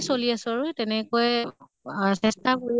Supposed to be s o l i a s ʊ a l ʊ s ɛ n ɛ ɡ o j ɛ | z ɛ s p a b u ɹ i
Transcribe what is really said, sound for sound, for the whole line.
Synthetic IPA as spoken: s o l i a s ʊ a ɹ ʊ t ɛ n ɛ k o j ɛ | s ɛ s t a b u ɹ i

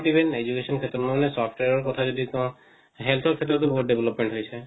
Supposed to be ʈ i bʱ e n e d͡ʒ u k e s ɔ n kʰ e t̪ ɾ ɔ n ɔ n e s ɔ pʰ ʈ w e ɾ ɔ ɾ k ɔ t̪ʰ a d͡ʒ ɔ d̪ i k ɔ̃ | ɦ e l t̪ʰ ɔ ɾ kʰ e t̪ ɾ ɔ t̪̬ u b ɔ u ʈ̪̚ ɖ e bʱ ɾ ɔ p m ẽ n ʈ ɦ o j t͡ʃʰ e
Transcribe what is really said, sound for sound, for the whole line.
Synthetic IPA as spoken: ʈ i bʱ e n e d͡ʒ u k e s ɔ n kʰ e t̪ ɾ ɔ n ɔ n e s ɔ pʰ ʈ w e ɾ ɔ ɾ k ɔ t̪ʰ a d͡ʒ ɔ d̪ i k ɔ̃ | ɦ e l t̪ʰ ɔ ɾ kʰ e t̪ ɾ ɔ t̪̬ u b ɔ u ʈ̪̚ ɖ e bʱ l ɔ p m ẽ ɳ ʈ ɦ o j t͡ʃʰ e

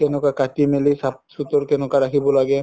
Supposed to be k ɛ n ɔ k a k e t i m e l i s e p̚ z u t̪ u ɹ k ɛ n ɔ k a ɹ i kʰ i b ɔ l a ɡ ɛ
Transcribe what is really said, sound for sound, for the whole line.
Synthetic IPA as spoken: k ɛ n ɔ k a k a t i m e l i s a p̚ s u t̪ ɔ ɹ k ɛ n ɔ k a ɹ a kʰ i b ɔ l a ɡ ɛ

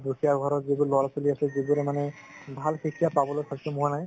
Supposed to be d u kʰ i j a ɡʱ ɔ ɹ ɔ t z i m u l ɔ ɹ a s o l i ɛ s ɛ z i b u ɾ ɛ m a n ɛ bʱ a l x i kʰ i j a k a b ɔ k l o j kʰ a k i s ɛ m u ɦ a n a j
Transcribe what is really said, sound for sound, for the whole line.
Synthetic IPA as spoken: d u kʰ i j a ɡʱ ɔ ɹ ɔ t z i b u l ɔ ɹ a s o l i a s ɛ z i b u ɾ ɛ m a n ɛ bʱ a l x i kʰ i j a p a b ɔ l o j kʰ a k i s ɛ m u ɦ a n a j

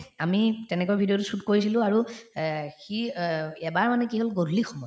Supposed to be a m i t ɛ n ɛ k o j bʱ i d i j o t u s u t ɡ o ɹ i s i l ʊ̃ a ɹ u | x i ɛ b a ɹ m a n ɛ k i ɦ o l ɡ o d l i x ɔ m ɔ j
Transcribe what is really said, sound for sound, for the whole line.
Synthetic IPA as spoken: a m i t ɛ n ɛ k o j bʱ i d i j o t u s u t k o ɹ i s i l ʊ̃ a ɹ u | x i ɛ b a ɹ m a n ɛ k i ɦ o l ɡ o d l i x ɔ m ɔ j

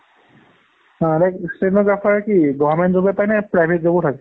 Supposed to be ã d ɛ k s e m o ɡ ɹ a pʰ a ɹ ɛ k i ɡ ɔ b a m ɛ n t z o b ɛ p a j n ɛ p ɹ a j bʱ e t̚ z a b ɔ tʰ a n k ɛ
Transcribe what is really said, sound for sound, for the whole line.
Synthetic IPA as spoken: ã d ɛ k s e n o ɡ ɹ a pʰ a ɹ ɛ k i ɡ ɔ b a m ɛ n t z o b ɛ p a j n ɛ p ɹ a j bʱ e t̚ z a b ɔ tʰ a k ɛ

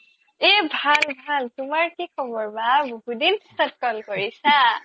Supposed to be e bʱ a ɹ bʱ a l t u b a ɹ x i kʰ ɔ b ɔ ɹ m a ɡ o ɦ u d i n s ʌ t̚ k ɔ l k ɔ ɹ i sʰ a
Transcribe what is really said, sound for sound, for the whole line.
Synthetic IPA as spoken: e bʱ a l bʱ a l t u m a ɹ k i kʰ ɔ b ɔ ɹ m a b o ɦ u d i n s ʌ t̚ k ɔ l k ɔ ɹ i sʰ a

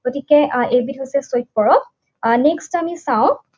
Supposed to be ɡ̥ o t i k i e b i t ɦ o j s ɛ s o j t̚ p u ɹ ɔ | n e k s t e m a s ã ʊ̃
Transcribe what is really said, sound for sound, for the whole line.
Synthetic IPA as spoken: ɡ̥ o t i k ɛ e b i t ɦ o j s ɛ s o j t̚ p ɔ ɹ ɔ | n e k s t a m i s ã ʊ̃

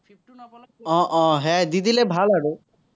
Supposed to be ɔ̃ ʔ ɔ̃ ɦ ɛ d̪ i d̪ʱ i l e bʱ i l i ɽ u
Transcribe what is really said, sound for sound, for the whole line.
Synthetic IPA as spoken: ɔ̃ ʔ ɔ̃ ɦ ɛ d̪ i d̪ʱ i l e bʱ a l a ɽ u

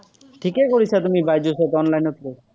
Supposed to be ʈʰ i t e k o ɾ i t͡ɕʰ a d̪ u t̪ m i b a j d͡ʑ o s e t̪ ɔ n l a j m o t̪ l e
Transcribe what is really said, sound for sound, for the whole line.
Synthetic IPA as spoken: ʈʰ i k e k o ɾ i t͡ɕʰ a t̪ u m i b a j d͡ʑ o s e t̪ ɔ n l a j n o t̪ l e

